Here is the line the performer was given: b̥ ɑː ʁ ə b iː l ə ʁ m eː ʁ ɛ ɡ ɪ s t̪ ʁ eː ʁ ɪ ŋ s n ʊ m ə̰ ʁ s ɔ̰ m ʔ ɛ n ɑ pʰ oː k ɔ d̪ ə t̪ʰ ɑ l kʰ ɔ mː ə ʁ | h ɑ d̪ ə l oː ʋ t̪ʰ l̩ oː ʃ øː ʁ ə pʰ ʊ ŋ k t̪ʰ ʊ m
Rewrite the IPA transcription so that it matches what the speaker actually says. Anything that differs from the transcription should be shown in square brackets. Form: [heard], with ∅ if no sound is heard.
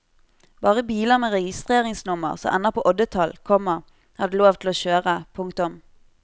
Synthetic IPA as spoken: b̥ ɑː ʁ ə b iː l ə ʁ m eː ʁ ɛ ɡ ɪ s t̪ ʁ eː ʁ ɪ ŋ s n ʊ m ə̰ ʁ s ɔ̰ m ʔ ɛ n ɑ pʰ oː [ʔ] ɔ d̪ ə t̪ʰ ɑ l kʰ ɔ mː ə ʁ | h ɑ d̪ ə l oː ʋ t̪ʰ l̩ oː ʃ øː ʁ ə pʰ ʊ ŋ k [t̪] ʊ m